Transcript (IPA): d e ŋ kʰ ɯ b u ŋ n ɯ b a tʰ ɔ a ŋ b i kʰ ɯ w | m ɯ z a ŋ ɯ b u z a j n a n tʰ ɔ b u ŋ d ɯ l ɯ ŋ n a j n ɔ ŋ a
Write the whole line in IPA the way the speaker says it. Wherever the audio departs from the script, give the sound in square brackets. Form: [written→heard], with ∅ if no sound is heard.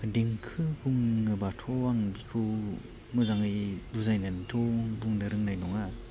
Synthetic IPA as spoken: d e ŋ kʰ ɯ b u ŋ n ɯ b a tʰ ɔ a ŋ b i kʰ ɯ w | m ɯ z a ŋ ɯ b u z a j n a n tʰ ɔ b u ŋ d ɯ [l→ɾ] ɯ ŋ n a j n ɔ ŋ a